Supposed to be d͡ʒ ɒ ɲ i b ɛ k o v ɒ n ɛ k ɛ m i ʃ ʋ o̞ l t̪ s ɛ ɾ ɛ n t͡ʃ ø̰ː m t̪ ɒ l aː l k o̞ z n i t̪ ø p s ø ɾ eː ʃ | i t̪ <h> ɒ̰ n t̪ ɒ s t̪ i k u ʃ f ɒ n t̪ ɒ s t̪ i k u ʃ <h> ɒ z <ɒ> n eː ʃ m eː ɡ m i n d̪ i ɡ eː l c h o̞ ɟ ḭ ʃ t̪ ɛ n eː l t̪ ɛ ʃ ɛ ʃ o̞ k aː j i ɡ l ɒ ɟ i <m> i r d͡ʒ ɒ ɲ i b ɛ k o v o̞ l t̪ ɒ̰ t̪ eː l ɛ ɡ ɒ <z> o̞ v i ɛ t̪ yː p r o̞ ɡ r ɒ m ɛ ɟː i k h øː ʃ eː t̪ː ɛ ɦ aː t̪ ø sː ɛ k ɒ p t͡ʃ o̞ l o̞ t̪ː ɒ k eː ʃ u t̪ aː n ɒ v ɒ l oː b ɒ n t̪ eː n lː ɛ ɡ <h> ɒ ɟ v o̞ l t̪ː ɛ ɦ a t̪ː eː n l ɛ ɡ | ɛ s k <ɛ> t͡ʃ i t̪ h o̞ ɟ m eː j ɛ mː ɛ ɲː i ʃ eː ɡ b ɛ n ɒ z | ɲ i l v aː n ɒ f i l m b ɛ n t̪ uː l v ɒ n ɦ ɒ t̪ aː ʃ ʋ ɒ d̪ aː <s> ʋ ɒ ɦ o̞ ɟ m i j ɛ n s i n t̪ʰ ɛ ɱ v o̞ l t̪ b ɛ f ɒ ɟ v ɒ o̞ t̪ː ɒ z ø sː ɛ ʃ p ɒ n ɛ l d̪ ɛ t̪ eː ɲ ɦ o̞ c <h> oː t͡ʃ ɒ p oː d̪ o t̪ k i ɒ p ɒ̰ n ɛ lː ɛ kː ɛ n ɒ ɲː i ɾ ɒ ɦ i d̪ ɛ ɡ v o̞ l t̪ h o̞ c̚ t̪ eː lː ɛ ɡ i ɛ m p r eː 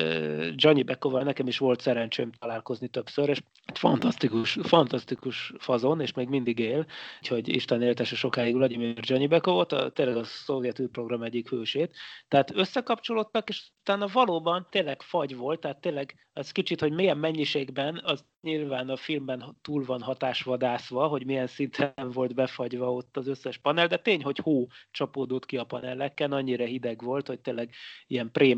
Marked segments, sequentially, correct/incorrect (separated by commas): incorrect, incorrect, incorrect, correct, incorrect, incorrect, incorrect, correct, correct